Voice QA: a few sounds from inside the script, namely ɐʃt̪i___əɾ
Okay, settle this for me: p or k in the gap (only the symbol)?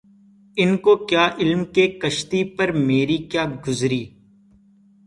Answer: p